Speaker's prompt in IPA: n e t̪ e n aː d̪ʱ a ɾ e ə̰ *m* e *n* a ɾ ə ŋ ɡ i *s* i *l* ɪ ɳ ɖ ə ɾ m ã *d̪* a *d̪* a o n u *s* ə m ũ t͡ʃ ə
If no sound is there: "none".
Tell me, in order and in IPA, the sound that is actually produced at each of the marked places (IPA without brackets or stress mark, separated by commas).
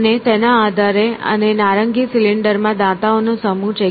n, n, s, l, d̪, t̪, s